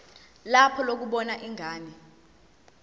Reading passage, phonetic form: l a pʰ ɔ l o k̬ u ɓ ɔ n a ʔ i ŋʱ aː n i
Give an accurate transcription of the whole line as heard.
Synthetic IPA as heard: l a pʰ ɔ l o k̬ u ɓ ɔ n a ʔ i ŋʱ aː n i